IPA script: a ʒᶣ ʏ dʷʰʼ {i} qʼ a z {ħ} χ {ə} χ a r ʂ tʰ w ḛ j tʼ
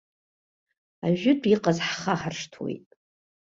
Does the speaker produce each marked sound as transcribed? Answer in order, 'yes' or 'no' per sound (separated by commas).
yes, yes, no